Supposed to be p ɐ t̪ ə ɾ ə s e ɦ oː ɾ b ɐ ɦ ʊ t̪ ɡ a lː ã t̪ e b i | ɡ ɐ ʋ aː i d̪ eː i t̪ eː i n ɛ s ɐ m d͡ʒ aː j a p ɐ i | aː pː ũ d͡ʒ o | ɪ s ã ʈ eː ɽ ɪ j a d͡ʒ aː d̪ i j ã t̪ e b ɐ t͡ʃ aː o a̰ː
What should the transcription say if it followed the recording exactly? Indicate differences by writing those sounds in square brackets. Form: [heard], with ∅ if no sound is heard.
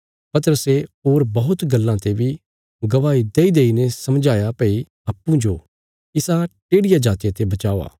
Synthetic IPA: p ɐ t̪ ə ɾ ə s e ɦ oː ɾ b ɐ ɦ ʊ t̪ ɡ [ɐ] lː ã t̪ e b i | ɡ ɐ ʋ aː i d̪ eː i [d̪] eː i n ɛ s ɐ m d͡ʒ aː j a p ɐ i | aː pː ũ d͡ʒ o | ɪ s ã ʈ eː ɽ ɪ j a d͡ʒ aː [t̪] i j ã t̪ e b ɐ t͡ʃ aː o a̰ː